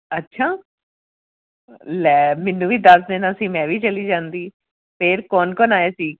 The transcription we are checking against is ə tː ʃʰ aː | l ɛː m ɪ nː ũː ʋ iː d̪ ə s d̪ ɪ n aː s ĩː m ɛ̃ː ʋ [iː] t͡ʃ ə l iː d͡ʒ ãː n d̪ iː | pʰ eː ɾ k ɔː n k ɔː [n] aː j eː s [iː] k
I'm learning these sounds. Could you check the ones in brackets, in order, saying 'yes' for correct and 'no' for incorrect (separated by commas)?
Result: yes, yes, yes